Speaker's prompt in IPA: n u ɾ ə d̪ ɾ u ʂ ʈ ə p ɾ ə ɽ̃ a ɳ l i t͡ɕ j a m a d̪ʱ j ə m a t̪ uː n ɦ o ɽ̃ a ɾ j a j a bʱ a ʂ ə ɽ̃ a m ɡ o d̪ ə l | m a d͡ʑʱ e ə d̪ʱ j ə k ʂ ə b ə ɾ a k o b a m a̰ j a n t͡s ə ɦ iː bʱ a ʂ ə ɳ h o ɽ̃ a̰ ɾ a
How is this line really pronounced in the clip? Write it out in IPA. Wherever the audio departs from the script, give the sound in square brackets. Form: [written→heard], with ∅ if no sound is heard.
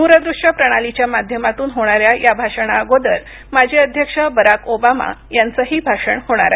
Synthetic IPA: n u ɾ ə d̪ ɾ u ʂ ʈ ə p ɾ ə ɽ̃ a [ɳ→∅] l i t͡ɕ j a m a d̪ʱ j ə m a t̪ uː n ɦ o ɽ̃ a ɾ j a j a bʱ a ʂ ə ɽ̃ a [m→∅] ɡ o d̪ ə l | m a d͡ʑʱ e ə d̪ʱ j ə k ʂ ə b ə ɾ a k o b a m a̰ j a n t͡s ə ɦ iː bʱ a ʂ ə ɳ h o ɽ̃ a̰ ɾ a